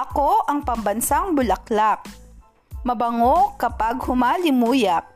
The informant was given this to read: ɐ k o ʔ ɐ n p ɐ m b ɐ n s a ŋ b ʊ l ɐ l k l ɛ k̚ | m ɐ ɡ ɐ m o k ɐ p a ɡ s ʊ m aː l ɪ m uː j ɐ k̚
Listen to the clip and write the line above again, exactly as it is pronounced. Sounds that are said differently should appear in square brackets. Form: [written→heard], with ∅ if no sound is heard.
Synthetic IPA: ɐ k o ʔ ɐ [n→ŋ] p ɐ m b ɐ n s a ŋ b ʊ l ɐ [l→∅] k l [ɛ→a] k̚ | m ɐ [ɡ→b] ɐ [m→ŋ] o k ɐ p a ɡ [s→h] ʊ m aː l ɪ m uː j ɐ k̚